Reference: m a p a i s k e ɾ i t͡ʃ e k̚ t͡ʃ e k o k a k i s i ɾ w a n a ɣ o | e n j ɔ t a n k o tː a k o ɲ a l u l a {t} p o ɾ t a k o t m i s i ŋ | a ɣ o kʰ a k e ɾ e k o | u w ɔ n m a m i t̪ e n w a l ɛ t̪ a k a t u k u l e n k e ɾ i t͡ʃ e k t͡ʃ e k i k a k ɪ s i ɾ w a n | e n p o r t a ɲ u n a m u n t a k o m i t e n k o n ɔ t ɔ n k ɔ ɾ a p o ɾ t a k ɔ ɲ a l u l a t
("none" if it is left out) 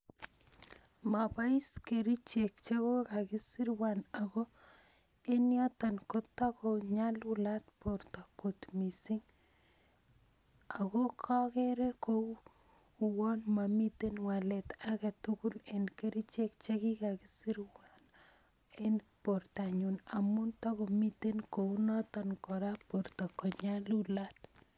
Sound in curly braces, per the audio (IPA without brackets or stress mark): t